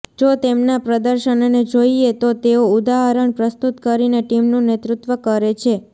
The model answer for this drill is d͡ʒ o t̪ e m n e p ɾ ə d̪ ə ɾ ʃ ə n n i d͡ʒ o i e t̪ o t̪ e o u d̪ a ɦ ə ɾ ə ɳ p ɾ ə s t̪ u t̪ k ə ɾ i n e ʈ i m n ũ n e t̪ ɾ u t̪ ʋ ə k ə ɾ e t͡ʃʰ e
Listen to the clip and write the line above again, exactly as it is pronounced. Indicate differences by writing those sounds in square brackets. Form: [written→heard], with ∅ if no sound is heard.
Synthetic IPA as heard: d͡ʒ o t̪ e m n [e→a] p ɾ ə d̪ ə ɾ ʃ ə n n [i→e] d͡ʒ o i e t̪ o t̪ e o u d̪ a ɦ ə ɾ ə ɳ p ɾ ə s t̪ u t̪ k ə ɾ i n e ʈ i m n ũ n e t̪ ɾ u t̪ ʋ ə k ə ɾ e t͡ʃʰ e